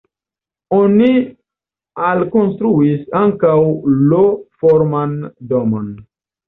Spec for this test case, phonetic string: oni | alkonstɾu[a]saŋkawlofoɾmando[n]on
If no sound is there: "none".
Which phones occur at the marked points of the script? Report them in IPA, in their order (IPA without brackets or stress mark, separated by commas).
i, m